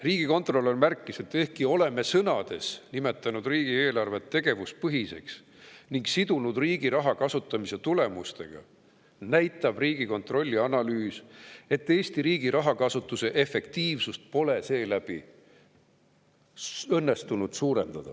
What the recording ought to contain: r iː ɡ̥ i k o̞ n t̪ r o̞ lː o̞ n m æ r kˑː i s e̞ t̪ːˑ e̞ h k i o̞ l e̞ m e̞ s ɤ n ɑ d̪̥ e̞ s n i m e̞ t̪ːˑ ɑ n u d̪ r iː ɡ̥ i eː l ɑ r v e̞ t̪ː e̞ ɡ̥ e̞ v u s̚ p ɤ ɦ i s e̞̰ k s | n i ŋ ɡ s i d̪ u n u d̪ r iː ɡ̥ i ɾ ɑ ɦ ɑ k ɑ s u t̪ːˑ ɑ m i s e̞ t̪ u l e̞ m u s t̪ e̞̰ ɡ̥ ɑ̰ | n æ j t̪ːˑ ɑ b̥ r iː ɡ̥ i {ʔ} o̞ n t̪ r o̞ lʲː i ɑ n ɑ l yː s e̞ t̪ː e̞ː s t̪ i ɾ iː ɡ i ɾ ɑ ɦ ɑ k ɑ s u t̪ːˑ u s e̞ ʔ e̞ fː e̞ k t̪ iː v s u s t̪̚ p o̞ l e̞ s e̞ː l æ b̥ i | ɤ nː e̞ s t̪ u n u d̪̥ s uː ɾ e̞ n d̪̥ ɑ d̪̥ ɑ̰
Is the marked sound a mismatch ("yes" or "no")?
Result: yes